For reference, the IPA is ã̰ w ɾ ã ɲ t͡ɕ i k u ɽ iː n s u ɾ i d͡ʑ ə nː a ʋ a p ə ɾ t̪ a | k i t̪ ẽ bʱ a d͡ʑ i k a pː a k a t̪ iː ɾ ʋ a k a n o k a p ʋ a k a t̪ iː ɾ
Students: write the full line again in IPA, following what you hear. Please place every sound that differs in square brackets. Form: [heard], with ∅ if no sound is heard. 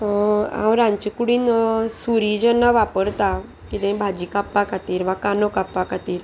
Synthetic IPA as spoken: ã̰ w ɾ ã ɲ t͡ɕ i k u ɽ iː n s u ɾ i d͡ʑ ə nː a ʋ a p ə ɾ t̪ a | k i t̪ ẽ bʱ a d͡ʑ i k a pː a k a t̪ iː ɾ ʋ a k a n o k a p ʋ a k a t̪ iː ɾ